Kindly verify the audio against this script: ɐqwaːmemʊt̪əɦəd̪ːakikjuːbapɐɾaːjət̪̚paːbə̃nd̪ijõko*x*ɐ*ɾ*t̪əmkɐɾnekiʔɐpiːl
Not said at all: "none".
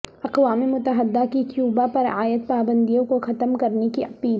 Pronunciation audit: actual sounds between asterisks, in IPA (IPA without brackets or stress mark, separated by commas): x, none